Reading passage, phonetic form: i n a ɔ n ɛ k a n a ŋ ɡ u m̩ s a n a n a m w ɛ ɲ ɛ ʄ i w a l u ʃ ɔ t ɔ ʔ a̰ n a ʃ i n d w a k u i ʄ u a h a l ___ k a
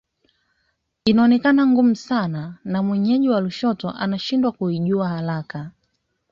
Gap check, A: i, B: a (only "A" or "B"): B